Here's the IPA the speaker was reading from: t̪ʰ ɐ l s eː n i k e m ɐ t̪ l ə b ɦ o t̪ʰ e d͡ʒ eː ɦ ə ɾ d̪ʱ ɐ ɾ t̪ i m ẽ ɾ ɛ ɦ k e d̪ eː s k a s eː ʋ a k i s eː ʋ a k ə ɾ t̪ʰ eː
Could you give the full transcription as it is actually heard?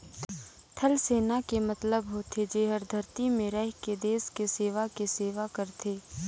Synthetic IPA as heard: t̪ʰ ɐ l s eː n a k e m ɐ t̪ l ə b ɦ o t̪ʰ e d͡ʒ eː ɦ ə ɾ d̪ʱ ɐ ɾ t̪ i m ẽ ɾ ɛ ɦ k e d̪ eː s k e s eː ʋ a k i s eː ʋ a k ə ɾ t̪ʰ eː